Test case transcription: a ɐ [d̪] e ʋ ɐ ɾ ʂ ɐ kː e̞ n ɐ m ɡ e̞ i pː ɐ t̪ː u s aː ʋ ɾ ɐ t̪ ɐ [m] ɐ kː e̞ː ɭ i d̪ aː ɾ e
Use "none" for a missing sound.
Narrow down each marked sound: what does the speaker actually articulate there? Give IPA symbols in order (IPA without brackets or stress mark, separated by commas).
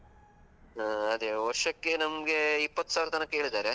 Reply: d̪, n